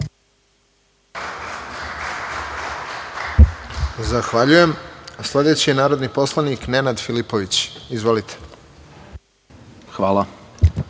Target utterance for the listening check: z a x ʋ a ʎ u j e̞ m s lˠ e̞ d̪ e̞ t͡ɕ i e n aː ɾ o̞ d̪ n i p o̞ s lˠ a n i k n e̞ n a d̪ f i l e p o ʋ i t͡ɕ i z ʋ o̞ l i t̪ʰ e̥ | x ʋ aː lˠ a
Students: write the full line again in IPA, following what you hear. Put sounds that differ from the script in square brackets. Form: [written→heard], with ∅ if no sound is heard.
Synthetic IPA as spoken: z a x ʋ a ʎ u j e̞ m s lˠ e̞ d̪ e̞ t͡ɕ i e n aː ɾ o̞ d̪ n i p o̞ s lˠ a n i k n e̞ n a d̪ f i l [e→i] p o ʋ i t͡ɕ i z ʋ o̞ l i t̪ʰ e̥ | x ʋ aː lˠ a

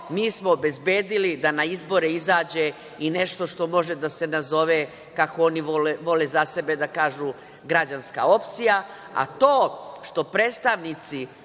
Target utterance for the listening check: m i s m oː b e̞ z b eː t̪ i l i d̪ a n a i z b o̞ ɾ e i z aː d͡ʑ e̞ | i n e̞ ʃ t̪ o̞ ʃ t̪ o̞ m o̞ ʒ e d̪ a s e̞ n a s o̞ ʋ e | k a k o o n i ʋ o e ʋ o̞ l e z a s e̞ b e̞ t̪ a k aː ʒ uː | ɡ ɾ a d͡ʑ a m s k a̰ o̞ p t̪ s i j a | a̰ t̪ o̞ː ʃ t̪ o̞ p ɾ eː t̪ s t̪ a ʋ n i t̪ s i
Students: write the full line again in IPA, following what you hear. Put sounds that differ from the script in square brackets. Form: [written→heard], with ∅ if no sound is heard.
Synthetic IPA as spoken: m [i→iː] s m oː b e̞ z b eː [t̪→d̪] i l i d̪ a n a i z b o̞ ɾ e i z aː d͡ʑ e̞ | i n e̞ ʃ t̪ o̞ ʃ t̪ o̞ m o̞ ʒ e d̪ a s e̞ n a [s→z] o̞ ʋ e | k a k o o n i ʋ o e ʋ o̞ l e z a s e̞ b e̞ [t̪→d̪] a k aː ʒ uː | ɡ ɾ a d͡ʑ a [m→n] s k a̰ o̞ p t̪ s i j a | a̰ t̪ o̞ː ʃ t̪ o̞ p ɾ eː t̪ s t̪ a ʋ n i t̪ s i

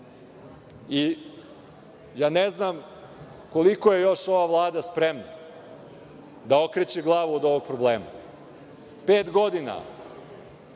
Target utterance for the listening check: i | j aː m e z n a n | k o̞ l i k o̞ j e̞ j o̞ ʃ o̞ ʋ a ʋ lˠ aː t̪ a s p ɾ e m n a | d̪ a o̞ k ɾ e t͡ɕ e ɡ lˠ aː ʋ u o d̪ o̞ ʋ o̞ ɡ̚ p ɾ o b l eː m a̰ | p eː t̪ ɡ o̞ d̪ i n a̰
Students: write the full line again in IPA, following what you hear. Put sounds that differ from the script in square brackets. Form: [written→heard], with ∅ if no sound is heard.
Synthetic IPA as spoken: i | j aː [m→n] e z n a [n→m] | k o̞ l i k o̞ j e̞ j o̞ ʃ o̞ ʋ a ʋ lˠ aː [t̪→d̪] a s p ɾ e m n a | d̪ a o̞ k ɾ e t͡ɕ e ɡ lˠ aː ʋ u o d̪ o̞ ʋ o̞ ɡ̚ p ɾ o b l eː m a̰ | p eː t̪ ɡ o̞ d̪ i n a̰

